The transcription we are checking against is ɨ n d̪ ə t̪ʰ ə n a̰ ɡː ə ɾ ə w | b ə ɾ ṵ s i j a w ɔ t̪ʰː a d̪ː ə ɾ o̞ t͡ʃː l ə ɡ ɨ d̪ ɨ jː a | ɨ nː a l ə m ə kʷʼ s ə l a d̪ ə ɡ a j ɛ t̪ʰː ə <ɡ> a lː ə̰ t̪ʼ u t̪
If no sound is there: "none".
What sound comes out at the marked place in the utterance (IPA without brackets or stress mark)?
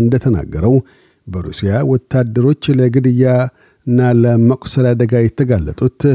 ɡ